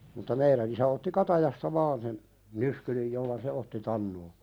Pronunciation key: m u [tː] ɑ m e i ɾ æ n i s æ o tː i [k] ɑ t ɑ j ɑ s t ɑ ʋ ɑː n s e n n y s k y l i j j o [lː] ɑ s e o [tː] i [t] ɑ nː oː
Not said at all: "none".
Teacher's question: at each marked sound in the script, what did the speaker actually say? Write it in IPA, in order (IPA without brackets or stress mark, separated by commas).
tː, k, lː, tː, t